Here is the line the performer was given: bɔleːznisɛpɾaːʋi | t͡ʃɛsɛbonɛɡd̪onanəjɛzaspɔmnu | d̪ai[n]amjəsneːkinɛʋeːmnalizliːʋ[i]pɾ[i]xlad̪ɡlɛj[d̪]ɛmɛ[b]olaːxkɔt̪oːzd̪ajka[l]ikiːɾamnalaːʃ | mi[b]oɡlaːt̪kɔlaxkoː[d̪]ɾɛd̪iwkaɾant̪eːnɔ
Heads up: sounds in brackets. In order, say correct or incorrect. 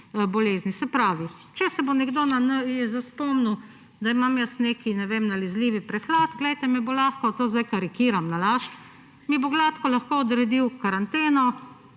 incorrect: m, correct, incorrect: ɛ, incorrect: t̪, correct, incorrect: ɾ, correct, correct

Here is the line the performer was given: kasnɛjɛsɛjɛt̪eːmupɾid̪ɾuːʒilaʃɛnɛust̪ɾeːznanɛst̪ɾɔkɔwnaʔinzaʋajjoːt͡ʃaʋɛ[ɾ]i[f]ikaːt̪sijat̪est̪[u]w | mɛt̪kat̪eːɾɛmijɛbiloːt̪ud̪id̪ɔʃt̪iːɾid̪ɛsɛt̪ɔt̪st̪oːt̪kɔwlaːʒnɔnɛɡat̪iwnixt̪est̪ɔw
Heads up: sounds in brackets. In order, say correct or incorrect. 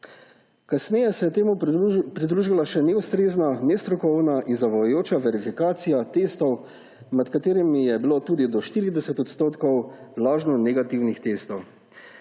correct, correct, incorrect: ɔ

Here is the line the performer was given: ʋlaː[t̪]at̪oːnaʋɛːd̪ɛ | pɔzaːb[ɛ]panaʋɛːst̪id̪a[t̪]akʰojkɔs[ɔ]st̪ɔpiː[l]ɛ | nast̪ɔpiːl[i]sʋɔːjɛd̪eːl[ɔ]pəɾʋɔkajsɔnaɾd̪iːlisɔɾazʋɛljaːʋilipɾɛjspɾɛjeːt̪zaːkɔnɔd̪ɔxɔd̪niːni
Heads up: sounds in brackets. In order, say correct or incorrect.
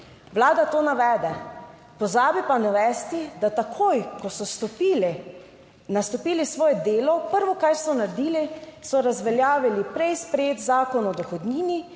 incorrect: d̪, incorrect: i, correct, correct, correct, correct, correct

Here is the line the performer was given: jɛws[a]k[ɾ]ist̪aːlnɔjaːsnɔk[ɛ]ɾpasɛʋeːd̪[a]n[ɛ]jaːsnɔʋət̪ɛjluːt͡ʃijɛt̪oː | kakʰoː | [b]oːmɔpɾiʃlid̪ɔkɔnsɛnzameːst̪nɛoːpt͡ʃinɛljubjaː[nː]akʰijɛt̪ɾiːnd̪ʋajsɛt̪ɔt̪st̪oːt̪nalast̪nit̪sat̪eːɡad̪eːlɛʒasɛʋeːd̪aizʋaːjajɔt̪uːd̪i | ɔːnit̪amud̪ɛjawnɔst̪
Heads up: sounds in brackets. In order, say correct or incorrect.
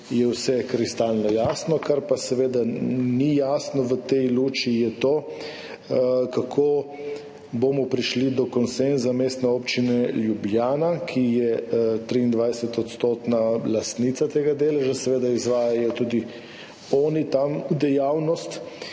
incorrect: ɛ, correct, incorrect: a, correct, incorrect: i, correct, incorrect: n

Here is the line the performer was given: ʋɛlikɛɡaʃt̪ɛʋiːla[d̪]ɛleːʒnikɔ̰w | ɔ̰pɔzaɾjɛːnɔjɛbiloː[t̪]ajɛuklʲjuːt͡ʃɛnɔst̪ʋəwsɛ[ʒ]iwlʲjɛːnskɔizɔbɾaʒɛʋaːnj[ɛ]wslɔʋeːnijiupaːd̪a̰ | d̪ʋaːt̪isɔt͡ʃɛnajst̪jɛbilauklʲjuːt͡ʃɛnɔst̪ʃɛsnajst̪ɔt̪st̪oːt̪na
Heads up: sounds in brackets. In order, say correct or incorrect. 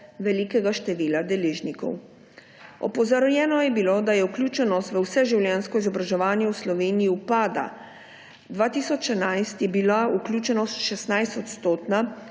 correct, incorrect: d̪, correct, correct

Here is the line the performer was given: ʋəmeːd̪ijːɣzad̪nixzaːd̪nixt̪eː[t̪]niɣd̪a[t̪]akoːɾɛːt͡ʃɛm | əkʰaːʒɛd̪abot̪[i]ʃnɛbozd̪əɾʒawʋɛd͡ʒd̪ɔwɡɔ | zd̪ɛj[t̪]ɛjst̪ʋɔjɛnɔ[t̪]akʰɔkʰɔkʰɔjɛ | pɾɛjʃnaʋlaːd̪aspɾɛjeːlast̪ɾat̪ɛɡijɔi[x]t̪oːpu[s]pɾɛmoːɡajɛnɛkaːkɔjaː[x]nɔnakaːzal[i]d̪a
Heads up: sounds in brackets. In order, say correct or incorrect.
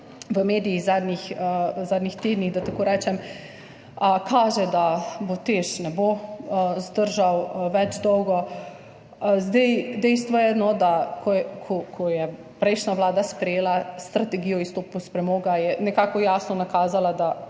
incorrect: d̪, correct, incorrect: e, incorrect: d̪, incorrect: d̪, incorrect: s, correct, incorrect: s, incorrect: a

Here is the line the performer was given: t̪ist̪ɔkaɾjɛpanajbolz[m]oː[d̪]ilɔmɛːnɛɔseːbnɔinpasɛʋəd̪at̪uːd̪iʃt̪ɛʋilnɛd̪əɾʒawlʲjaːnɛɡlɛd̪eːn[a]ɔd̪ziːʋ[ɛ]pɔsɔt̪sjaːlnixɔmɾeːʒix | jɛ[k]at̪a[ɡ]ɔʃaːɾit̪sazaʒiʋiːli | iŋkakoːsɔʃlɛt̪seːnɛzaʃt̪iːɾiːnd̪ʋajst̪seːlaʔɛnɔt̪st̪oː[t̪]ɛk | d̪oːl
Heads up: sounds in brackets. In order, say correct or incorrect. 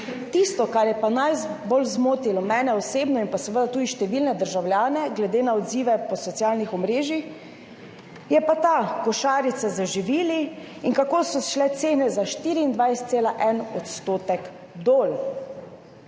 correct, incorrect: t̪, correct, correct, incorrect: p, incorrect: k, correct

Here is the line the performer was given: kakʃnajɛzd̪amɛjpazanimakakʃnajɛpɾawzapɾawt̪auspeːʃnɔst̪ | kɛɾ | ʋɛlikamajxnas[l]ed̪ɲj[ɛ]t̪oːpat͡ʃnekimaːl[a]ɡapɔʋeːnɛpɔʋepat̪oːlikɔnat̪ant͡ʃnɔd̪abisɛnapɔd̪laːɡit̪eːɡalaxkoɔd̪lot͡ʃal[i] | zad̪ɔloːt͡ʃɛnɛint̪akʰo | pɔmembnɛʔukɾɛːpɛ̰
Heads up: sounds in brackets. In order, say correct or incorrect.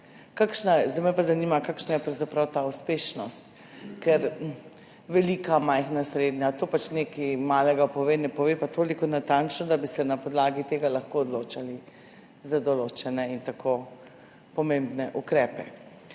incorrect: ɾ, incorrect: a, incorrect: ɛ, correct

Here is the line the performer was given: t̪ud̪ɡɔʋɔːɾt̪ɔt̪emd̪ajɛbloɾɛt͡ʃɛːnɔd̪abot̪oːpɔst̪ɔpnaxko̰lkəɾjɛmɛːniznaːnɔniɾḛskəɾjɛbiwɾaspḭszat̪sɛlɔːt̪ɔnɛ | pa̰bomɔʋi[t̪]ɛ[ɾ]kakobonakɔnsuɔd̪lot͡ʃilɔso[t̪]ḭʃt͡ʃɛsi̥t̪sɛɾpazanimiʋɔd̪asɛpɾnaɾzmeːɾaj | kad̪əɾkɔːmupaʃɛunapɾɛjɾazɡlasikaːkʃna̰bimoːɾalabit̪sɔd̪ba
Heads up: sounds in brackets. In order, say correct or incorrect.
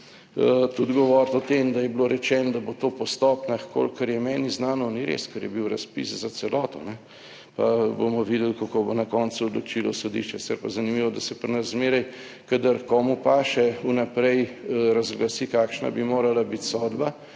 incorrect: d̪, incorrect: l, incorrect: d̪

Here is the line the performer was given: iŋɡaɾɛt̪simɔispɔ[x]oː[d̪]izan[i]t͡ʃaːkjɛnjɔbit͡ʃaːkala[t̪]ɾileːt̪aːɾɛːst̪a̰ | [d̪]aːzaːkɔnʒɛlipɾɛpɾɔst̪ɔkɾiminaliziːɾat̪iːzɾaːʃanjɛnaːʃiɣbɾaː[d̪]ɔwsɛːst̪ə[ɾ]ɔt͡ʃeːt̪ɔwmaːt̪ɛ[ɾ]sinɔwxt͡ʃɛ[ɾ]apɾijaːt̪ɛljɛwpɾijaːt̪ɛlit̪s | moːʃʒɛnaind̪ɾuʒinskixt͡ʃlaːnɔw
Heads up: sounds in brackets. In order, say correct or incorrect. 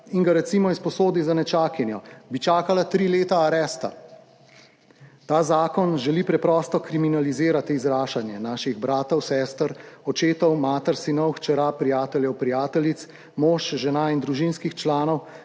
incorrect: s, correct, incorrect: ɛ, correct, incorrect: t̪, incorrect: t̪, correct, correct, correct

